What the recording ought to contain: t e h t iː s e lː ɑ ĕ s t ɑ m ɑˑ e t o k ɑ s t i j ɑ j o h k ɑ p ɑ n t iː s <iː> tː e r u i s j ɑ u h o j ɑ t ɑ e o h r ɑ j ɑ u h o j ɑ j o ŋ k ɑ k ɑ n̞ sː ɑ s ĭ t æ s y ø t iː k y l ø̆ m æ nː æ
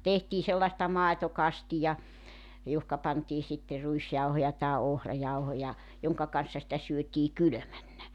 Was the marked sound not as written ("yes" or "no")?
yes